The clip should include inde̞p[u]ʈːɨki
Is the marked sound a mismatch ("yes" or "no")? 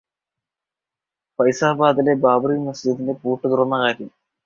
yes